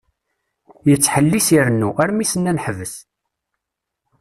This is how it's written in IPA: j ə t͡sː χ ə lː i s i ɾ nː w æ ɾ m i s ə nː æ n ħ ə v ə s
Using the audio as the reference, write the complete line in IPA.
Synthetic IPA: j ə t͡sː ħ ə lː i s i ɾ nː u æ ɾ m i s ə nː æ n ħ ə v ə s